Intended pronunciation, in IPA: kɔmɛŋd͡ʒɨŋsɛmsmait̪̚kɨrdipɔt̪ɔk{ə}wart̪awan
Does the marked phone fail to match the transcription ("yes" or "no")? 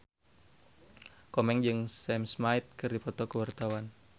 no